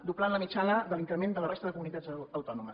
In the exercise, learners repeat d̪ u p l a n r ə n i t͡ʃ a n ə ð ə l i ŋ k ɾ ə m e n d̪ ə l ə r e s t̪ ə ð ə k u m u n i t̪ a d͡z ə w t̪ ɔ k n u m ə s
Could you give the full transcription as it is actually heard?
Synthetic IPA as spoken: d̪ u p l a n l ə m i t͡ʃ a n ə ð ə l i ŋ k ɾ ə m e n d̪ ə l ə r e s t̪ ə ð ə k u m u n i t̪ a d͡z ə w t̪ ɔ n u m ə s

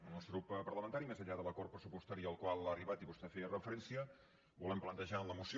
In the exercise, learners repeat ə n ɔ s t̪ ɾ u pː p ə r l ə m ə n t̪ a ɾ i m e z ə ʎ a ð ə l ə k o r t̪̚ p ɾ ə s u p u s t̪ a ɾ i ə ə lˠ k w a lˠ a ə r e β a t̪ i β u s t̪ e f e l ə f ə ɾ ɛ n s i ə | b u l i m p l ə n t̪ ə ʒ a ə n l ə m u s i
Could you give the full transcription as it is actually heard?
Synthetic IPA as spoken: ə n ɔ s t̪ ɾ u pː p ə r l ə m ə n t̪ a ɾ i m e z ə ʎ a ð ə l ə k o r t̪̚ p ɾ ə s u p u s t̪ a ɾ i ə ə lˠ k w a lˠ a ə r i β a t̪ i β u s t̪ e f e r ə f ə ɾ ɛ n s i ə | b u l ɛ m p l ə n t̪ ə ʒ a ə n l ə m u s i

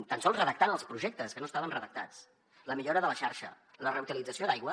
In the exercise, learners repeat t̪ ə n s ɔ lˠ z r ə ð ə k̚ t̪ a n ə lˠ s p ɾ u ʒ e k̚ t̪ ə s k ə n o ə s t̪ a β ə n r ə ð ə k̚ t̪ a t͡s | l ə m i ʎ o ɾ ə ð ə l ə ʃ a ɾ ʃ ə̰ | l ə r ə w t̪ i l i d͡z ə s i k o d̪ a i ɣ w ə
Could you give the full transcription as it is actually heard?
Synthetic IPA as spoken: t̪ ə n s ɔ lˠ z r ə ð ə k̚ t̪ a n ə lˠ s p ɾ u ʒ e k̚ t̪ ə s k ə n o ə s t̪ a β ə n r ə ð ə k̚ t̪ a t͡s | l ə m i ʎ o ɾ ə ð ə l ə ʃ a ɾ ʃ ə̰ | l ə r ə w t̪ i l i d͡z ə s i o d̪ a j ɣ w ə

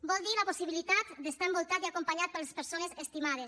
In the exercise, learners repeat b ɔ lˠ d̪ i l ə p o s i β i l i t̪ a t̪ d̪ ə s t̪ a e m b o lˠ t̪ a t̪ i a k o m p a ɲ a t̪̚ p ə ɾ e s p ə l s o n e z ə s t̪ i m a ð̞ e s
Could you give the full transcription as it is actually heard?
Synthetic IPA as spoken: b ɔ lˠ d̪ i l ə p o s i β i l i t̪ a t̪ d̪ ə s t̪ a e m b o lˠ t̪ a t̪ i a k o m p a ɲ a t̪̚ p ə l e s p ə ɾ s o n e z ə s t̪ i m a ð̞ e s

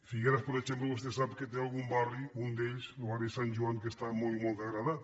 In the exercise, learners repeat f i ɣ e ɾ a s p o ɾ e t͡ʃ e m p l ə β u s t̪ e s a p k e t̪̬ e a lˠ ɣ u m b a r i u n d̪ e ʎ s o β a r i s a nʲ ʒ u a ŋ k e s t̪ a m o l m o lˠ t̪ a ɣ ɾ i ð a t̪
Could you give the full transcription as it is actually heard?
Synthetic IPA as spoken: f i ɣ e ɾ a s p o ɾ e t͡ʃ e m p l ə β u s t̪ e s a p k e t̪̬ e a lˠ ɣ u m b a r i u n d̪ e ʎ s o β a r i s a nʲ ʒ u a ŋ k e s t̪ a m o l m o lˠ t̪ a ɣ ɾ a ð a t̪

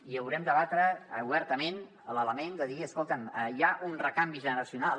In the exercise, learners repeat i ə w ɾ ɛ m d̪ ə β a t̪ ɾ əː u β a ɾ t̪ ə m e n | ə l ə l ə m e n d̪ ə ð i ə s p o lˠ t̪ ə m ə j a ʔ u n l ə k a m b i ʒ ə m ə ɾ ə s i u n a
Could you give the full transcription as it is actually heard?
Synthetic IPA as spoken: i ə w ɾ ɛ m d̪ ə β a t̪ ɾ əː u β ɛ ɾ t̪ ə m e n | ə l ə l ə m e n d̪ ə ð i ə s k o lˠ t̪ ə m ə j a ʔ u n r ə k a m b i ʒ ə n ə ɾ ə s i u n a

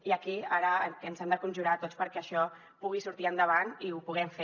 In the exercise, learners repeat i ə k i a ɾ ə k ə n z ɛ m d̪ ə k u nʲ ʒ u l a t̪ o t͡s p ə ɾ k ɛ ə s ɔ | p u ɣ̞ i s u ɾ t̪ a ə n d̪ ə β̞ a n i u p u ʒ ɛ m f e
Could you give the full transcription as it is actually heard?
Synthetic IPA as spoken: i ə k i a ɾ ə k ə n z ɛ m d̪ ə k u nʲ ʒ u ɾ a t̪ o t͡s p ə ɾ k ɛ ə ʃ ɔ | p u ɣ̞ i s u ɾ t̪ i ə n d̪ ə β̞ a n i u p u ɣ ɛ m f e

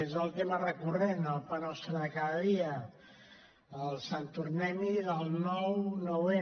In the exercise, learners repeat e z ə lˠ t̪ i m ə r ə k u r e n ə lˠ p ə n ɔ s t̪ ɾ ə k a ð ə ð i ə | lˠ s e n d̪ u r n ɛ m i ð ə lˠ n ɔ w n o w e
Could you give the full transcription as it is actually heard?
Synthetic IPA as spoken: e z ə lˠ t̪ e m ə r ə k u r e n ə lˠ p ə n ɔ s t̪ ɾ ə k a ð ə ð i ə | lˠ s a n t̪ u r n ɛ m i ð ə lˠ n ɔ w n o w e

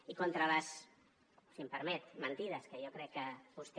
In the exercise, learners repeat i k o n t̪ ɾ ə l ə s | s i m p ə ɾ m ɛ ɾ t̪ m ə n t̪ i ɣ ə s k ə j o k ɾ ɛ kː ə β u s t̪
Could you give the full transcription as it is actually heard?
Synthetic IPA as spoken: i k o n t̪ ɾ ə l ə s | s i m p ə ɾ m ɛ t̪ m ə n t̪ i ð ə s k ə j o k ɾ ɛ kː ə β u s t̪

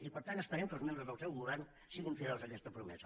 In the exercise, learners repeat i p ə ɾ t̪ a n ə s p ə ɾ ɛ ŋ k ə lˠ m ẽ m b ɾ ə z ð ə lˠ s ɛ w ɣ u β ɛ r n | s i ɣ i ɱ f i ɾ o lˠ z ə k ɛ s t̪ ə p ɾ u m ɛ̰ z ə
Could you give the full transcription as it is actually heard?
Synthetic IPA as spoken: i p ə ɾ t̪ a n ə s p ə ɾ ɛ m k ə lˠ m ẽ m b ɾ ə z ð ə lˠ s ɛ w ɣ u β ɛ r n | s i ɣ i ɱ f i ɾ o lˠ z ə k ɛ s t̪ ə p ɾ u m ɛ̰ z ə

